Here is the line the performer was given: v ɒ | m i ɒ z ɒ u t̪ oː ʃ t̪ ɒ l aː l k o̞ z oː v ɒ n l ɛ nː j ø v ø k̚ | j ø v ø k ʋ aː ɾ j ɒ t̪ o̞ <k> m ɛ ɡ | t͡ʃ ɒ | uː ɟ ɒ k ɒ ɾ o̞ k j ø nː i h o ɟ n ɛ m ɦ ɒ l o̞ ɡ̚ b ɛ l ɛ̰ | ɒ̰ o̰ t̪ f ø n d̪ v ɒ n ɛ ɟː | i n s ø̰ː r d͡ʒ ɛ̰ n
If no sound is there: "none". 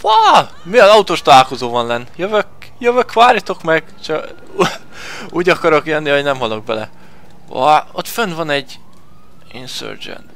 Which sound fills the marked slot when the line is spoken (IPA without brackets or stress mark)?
k